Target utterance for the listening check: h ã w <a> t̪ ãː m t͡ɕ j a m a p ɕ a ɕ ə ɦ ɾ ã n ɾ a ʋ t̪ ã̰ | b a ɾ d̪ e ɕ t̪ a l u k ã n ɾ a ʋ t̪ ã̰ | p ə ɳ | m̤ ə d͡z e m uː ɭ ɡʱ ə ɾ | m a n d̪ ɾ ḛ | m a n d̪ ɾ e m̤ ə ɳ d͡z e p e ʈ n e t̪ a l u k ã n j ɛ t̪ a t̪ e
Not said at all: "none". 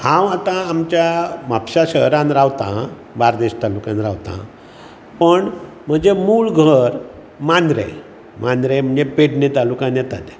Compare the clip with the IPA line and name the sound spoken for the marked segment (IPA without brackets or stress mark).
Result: a